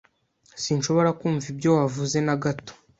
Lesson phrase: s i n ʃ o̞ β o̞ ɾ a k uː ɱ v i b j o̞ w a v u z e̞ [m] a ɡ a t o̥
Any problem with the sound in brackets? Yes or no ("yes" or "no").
yes